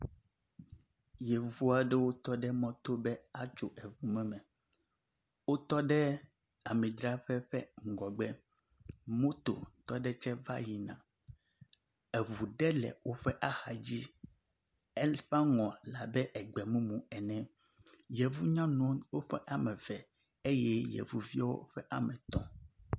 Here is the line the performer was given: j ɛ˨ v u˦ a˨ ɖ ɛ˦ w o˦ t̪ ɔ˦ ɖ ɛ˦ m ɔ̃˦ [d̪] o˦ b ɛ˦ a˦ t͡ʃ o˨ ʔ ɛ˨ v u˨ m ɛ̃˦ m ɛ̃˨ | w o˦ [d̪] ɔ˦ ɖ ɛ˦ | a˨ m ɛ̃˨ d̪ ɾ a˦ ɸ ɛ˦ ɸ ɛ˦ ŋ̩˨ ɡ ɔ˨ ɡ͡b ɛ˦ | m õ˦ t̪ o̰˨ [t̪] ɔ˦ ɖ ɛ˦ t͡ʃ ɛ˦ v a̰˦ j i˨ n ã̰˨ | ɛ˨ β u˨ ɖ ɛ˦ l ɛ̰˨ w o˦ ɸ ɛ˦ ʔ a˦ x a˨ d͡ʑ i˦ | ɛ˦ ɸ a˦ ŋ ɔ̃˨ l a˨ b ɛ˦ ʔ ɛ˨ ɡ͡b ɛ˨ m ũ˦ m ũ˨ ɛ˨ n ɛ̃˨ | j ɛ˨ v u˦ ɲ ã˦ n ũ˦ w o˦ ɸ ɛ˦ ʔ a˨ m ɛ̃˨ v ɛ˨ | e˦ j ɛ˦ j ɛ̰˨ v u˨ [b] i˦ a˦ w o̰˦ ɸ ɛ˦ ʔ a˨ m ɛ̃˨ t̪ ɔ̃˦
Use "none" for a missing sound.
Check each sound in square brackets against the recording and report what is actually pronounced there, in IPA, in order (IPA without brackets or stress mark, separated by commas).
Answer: t̪, t̪, t̪, v